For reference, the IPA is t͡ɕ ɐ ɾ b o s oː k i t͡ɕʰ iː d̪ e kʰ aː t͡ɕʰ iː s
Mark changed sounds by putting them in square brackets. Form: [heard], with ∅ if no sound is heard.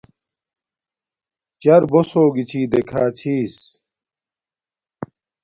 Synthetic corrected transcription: t͡ɕ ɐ ɾ b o s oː [ɡ] i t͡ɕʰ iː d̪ e kʰ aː t͡ɕʰ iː s